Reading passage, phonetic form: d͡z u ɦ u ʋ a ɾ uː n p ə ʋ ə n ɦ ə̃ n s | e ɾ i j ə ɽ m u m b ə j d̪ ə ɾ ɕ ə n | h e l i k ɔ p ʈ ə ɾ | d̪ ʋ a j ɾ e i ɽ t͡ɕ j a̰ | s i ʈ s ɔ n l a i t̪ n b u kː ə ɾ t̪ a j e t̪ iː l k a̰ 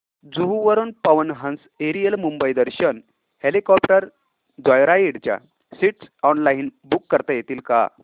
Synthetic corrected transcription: d͡z u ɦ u ʋ ə ɾ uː n p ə ʋ ə n ɦ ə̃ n s | e ɾ i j ə l m u m b ə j d̪ ə ɾ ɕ ə n | h e l i k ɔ p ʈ ə ɾ | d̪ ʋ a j ɾ a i ɽ t͡ɕ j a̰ | s i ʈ s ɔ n l a i n b u kː ə ɾ t̪ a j e t̪ iː l k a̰